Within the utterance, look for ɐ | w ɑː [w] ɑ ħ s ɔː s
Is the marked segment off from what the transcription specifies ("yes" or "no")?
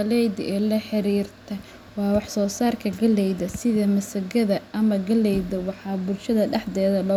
no